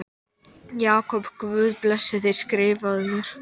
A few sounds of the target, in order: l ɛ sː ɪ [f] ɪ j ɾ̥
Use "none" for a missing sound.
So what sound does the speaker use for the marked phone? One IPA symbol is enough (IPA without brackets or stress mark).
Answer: θ